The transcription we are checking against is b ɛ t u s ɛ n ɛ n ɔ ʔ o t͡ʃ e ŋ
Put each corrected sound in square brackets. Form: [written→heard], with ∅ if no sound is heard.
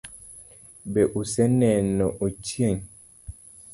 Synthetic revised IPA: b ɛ [t→ʔ] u s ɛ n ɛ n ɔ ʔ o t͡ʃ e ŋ